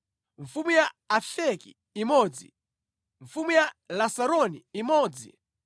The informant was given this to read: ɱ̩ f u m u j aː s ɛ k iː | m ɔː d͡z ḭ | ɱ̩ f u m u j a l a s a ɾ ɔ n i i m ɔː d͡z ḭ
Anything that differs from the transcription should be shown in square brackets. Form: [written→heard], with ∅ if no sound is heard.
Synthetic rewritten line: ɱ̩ f u m u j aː [s→f] ɛ k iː | m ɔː d͡z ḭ | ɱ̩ f u m u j a l a s a ɾ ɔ n i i m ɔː d͡z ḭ